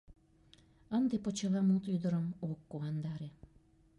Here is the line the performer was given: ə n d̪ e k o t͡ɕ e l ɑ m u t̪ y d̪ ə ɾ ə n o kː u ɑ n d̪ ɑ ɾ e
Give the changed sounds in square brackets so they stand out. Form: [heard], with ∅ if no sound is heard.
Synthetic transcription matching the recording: ə n d̪ e [p] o t͡ɕ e l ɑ m u t̪ y d̪ ə ɾ ə [m] o kː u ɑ n d̪ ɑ ɾ e